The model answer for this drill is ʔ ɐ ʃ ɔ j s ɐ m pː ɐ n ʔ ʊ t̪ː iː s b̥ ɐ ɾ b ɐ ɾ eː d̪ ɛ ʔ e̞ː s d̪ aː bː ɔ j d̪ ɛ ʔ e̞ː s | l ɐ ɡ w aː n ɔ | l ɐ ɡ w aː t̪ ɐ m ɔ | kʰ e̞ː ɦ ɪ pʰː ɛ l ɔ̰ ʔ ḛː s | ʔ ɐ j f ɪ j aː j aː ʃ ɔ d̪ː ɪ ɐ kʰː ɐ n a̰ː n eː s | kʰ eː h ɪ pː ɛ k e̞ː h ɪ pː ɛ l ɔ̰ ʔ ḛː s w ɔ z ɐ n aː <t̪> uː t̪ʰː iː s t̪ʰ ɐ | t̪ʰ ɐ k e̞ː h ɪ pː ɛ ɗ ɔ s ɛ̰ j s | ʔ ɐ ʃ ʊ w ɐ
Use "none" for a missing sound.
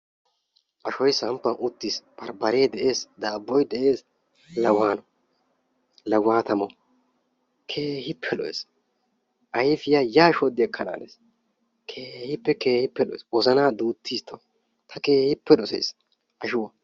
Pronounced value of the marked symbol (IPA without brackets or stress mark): d̪